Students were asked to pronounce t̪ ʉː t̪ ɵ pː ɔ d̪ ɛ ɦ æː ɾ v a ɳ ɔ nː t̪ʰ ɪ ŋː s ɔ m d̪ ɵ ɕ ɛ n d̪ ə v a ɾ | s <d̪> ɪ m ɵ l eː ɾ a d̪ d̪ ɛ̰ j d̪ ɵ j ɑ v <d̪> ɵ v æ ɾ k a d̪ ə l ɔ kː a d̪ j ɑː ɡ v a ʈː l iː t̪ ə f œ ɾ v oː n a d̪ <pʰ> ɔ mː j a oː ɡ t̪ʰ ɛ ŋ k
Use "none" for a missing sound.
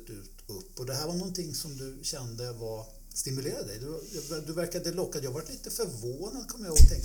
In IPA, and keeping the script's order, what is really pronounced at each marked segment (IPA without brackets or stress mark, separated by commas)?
t̪, d̪, kʰ